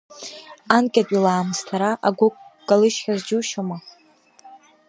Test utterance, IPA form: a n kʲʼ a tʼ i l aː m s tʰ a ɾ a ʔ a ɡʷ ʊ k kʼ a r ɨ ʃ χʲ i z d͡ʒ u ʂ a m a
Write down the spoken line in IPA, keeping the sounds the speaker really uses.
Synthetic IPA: a n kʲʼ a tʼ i l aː m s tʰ a ɾ a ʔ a ɡʷ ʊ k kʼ a l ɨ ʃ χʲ a z d͡ʒ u ʃ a m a